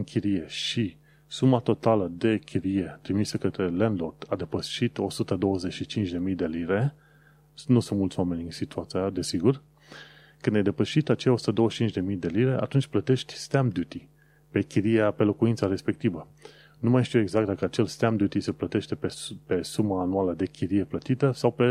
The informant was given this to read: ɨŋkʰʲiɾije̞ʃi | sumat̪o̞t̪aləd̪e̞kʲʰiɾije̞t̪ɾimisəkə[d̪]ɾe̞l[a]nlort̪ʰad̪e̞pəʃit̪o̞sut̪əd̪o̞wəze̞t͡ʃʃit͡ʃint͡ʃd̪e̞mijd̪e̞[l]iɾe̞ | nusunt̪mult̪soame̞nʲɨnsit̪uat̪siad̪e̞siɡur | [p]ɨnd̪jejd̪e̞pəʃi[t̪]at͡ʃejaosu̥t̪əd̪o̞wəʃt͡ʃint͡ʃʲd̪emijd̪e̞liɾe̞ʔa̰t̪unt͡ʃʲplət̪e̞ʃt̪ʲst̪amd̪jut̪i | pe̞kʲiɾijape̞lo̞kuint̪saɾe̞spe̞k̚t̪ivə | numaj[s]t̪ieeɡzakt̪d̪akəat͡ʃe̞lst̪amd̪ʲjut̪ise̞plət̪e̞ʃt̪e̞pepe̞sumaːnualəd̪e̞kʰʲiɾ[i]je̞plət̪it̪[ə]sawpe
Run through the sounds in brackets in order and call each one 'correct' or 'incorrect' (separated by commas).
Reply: incorrect, incorrect, correct, incorrect, correct, incorrect, correct, correct